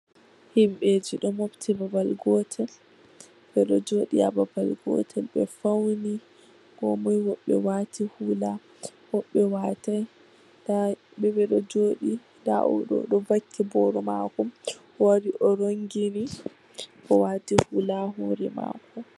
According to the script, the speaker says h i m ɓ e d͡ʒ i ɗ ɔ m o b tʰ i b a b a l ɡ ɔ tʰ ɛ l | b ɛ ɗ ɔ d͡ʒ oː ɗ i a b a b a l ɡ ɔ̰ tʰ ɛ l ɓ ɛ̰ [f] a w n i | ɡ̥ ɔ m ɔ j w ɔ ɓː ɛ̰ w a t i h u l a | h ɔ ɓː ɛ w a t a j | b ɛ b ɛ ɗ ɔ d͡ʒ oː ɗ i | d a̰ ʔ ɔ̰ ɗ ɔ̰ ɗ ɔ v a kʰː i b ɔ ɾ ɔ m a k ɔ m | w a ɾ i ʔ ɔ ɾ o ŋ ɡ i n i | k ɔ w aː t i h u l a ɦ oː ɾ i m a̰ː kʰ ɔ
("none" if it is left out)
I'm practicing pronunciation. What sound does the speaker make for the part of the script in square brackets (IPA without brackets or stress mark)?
f